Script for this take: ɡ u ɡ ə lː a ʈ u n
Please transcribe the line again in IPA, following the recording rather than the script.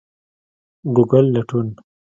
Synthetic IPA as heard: ɡ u ɡ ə lː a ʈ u n